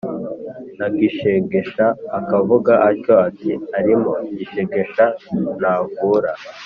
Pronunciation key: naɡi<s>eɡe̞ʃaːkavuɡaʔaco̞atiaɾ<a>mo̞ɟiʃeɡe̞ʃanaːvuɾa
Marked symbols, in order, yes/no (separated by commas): no, no